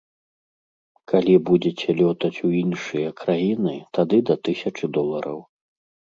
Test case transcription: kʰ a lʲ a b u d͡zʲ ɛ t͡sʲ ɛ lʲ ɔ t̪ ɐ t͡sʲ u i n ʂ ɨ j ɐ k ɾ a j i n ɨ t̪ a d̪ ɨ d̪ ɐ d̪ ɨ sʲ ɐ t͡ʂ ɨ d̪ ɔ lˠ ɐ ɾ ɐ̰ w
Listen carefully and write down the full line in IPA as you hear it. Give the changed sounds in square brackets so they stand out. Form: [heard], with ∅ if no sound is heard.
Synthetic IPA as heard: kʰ a lʲ [i] b u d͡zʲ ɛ t͡sʲ ɛ lʲ ɔ t̪ ɐ t͡sʲ u i n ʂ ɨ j ɐ k ɾ a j i n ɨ t̪ a d̪ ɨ d̪ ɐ [t̪] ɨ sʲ ɐ t͡ʂ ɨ d̪ ɔ lˠ ɐ ɾ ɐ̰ w

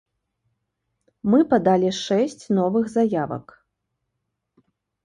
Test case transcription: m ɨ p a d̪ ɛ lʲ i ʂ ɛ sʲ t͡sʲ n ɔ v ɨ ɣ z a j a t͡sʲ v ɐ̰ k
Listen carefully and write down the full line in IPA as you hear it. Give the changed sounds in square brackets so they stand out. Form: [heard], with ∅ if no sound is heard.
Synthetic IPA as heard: m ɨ p a d̪ [a] lʲ i ʂ ɛ sʲ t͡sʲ n ɔ v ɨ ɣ z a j a [∅] v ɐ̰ k

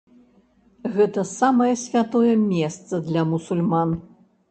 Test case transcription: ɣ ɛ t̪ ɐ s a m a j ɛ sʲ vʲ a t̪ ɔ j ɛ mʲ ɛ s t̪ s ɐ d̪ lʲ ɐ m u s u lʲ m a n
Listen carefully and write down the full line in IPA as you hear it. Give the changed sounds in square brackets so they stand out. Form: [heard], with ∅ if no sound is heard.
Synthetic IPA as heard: ɣ ɛ t̪ ɐ s a m [ɐ] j ɛ sʲ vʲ a t̪ ɔ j ɛ mʲ ɛ s t̪ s ɐ d̪ lʲ ɐ m u s u lʲ m a n

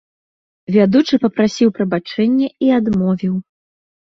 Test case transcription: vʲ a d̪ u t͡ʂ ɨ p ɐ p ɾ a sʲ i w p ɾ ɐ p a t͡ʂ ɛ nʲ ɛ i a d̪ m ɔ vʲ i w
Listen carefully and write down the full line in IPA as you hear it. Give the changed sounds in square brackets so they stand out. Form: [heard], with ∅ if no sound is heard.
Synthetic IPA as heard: vʲ a d̪ u t͡ʂ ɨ p ɐ p ɾ a sʲ i w p ɾ ɐ [b] a t͡ʂ ɛ [nʲː] ɛ i a d̪ m ɔ vʲ i w

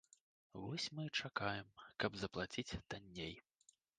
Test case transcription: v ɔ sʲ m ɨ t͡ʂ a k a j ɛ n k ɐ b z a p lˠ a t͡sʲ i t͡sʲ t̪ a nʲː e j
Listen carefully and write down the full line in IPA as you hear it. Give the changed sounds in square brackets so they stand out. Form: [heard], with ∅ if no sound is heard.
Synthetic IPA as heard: v ɔ sʲ m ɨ t͡ʂ a k a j ɛ [m] k ɐ b z [ɐ] p lˠ a t͡sʲ i t͡sʲ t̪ a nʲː e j

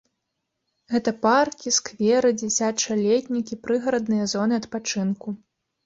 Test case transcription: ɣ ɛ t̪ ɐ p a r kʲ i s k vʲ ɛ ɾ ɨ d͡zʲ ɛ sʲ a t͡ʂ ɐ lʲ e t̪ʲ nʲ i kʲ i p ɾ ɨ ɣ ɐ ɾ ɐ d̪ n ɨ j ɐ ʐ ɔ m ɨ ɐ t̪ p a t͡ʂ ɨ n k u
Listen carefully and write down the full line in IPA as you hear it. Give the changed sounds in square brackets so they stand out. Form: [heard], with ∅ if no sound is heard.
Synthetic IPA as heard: ɣ ɛ t̪ ɐ p a r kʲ i s k vʲ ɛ ɾ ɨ d͡zʲ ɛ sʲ a t͡ʂ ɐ lʲ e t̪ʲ nʲ i kʲ i p ɾ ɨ ɣ ɐ ɾ ɐ d̪ n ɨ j ɐ [z] ɔ [n] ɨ ɐ t̪ p a t͡ʂ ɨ n k u

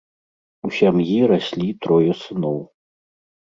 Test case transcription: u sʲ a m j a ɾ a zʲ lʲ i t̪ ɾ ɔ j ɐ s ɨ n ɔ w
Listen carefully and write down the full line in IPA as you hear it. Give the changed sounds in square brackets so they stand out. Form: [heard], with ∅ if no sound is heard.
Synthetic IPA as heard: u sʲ a m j [i] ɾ a [sʲ] lʲ i t̪ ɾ ɔ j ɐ s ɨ n ɔ w

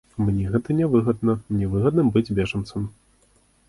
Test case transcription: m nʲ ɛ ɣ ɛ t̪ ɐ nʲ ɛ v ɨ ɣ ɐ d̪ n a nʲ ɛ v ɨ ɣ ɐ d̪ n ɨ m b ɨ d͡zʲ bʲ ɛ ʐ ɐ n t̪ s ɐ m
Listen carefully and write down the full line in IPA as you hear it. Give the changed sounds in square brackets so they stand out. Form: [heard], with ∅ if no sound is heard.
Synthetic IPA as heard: m nʲ ɛ ɣ ɛ t̪ ɐ nʲ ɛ v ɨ ɣ ɐ d̪ n [ɐ] nʲ ɛ v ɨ ɣ ɐ d̪ n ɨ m b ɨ d͡zʲ bʲ ɛ ʐ ɐ n t̪ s ɐ m

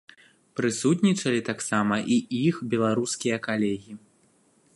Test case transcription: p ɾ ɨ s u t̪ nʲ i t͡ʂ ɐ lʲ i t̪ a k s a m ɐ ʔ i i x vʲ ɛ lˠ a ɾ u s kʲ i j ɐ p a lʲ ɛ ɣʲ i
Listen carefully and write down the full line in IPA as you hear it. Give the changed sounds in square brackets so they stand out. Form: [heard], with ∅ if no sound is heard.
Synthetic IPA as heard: p ɾ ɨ s u t̪ nʲ i t͡ʂ ɐ lʲ i t̪ a k s a m ɐ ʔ i i x [bʲ] ɛ lˠ a ɾ u s kʲ i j ɐ [k] a lʲ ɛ ɣʲ i

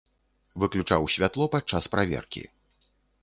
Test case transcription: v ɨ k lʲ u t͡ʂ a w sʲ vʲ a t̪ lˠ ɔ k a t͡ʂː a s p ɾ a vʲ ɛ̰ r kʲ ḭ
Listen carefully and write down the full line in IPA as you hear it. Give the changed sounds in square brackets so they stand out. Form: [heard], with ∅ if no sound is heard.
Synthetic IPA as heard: v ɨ k lʲ u t͡ʂ a w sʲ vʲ a t̪ lˠ ɔ [p] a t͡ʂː a s p ɾ a vʲ ɛ̰ r kʲ ḭ

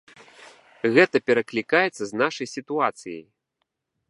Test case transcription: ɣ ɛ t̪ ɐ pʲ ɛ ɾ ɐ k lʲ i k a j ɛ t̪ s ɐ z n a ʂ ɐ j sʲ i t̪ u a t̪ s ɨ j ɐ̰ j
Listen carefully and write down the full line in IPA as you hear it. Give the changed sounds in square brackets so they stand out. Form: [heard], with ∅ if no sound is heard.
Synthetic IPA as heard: ɣ ɛ t̪ ɐ pʲ ɛ ɾ ɐ k lʲ i k a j ɛ t̪ [sː] ɐ z n a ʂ ɐ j sʲ i t̪ u a t̪ s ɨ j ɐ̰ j

